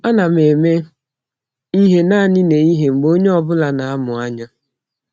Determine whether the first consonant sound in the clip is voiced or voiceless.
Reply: voiced